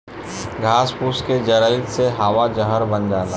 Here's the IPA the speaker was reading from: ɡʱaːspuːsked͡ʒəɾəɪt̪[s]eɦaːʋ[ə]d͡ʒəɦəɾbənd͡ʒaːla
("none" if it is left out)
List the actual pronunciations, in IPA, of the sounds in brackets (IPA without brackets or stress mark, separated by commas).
s, a